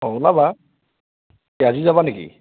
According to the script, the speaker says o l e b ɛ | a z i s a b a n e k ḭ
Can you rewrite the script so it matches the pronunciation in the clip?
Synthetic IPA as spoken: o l a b a | a z i z a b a n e k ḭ